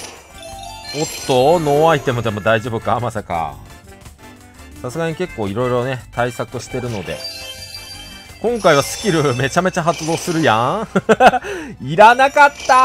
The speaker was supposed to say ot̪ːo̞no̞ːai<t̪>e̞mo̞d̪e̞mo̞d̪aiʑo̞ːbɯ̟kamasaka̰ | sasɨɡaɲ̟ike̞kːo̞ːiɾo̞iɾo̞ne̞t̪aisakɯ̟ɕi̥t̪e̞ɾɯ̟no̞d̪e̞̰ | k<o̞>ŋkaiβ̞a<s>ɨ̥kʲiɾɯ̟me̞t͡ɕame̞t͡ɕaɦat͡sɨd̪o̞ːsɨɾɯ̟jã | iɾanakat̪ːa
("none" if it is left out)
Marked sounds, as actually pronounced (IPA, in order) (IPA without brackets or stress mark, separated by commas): t̪, õ̞, s